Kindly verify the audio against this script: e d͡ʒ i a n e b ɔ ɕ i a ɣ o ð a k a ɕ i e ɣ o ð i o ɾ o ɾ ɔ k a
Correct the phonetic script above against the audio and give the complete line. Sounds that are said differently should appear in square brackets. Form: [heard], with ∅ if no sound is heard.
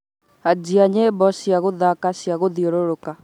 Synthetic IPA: [a] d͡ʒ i a [ɲ] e b ɔ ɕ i a ɣ o ð a k a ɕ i [a] ɣ o ð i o ɾ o ɾ [o] k a